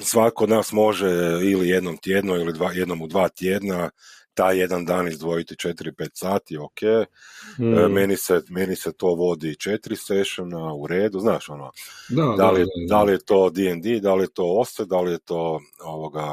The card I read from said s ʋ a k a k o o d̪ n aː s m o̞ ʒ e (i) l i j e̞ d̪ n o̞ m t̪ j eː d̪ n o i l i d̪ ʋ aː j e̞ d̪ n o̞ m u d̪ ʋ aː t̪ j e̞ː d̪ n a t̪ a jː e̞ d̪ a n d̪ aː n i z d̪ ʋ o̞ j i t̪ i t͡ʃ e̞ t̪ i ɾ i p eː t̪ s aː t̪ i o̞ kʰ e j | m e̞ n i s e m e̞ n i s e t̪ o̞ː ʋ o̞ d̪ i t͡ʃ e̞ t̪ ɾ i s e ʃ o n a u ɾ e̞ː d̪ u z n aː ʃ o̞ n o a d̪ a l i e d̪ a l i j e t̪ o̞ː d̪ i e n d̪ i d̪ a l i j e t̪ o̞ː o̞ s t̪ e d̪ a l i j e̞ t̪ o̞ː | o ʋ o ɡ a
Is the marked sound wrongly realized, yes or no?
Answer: no